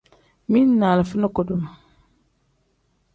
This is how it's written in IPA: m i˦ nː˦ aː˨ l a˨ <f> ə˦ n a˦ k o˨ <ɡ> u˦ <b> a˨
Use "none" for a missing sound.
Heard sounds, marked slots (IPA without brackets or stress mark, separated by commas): f, d, m